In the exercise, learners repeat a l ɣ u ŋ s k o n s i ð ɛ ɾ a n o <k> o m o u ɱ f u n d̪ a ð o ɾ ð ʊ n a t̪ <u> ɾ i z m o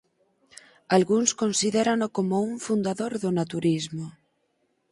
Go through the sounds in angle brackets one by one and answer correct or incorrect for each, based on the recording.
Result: correct, correct

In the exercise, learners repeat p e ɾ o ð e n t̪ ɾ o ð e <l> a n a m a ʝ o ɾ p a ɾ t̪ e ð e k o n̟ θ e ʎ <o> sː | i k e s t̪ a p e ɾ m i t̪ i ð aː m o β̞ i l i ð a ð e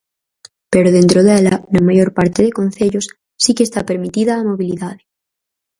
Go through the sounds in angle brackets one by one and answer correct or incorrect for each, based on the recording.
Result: correct, correct

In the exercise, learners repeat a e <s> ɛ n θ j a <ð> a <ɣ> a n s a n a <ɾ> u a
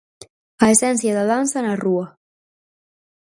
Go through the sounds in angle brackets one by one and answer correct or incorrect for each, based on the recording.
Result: correct, correct, incorrect, incorrect

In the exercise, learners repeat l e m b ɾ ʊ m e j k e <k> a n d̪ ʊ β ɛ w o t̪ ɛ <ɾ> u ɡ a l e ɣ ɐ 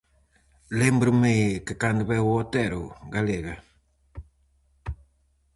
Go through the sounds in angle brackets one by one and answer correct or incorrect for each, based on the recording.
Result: correct, correct

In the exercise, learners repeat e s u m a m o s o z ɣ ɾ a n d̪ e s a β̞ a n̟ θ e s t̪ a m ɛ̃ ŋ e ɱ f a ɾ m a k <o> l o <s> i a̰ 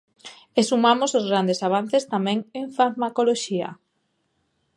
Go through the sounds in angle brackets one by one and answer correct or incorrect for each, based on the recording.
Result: correct, incorrect

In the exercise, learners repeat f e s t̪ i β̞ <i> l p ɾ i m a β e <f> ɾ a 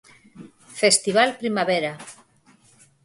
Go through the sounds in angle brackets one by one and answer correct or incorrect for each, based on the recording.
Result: incorrect, incorrect

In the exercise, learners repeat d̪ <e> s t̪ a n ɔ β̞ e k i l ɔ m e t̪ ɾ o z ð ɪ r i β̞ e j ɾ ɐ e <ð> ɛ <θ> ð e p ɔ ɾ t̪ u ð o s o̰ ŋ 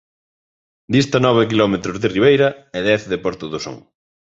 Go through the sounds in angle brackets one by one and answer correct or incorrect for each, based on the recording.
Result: incorrect, correct, correct

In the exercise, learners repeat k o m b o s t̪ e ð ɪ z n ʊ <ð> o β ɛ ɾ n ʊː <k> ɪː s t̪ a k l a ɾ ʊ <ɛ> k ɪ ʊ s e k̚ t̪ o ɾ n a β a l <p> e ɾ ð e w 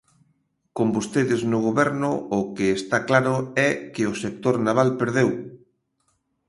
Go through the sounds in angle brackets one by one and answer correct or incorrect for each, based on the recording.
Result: incorrect, correct, correct, correct

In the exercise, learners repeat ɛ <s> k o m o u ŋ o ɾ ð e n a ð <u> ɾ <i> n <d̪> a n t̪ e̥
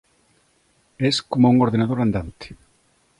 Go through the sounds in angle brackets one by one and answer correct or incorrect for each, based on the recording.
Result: correct, incorrect, incorrect, correct

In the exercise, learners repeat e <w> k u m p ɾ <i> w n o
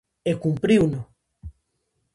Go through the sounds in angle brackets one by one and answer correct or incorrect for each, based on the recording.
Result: incorrect, correct

